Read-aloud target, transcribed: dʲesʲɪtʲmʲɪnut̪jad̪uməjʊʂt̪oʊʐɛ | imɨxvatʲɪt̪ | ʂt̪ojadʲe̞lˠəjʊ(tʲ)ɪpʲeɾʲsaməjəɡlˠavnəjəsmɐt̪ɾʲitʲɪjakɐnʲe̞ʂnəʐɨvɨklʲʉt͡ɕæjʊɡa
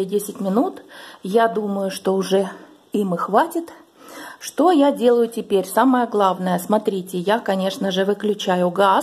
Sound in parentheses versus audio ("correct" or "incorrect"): correct